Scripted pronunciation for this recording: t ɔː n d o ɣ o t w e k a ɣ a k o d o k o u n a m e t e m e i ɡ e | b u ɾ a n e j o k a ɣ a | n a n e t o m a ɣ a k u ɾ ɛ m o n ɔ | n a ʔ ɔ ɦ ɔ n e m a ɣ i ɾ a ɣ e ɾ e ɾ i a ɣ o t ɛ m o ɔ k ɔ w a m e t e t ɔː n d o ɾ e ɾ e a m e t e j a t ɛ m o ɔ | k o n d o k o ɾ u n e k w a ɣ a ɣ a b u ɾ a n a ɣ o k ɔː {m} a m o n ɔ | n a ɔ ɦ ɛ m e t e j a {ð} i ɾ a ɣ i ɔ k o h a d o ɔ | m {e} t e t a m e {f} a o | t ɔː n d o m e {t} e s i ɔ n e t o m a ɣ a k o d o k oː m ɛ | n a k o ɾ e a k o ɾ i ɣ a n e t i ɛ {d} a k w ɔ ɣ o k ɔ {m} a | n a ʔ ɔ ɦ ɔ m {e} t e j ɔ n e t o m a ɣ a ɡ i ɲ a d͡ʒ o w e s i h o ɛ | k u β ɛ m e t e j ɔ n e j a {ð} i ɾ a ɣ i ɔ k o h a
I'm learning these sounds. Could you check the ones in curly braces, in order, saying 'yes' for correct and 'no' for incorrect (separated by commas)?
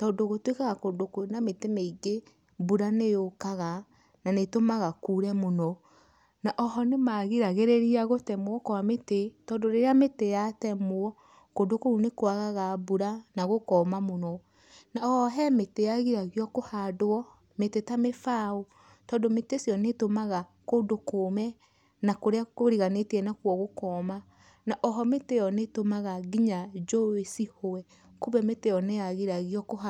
yes, no, yes, yes, yes, no, yes, yes, no